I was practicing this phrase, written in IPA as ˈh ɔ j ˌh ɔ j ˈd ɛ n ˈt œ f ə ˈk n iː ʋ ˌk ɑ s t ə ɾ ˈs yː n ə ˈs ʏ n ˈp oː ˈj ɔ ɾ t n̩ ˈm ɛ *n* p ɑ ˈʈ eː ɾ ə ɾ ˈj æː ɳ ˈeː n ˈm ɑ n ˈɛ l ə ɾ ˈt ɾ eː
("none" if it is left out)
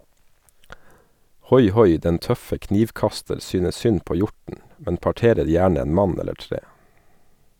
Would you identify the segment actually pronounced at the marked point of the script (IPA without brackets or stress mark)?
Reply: n